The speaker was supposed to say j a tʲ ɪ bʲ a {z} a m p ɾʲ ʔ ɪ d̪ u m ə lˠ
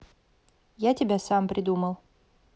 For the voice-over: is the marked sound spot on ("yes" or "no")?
no